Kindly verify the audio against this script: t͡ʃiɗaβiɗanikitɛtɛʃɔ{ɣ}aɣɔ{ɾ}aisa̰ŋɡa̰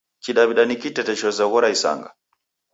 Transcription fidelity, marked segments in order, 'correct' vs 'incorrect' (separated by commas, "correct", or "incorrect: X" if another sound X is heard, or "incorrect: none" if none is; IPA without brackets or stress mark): incorrect: z, correct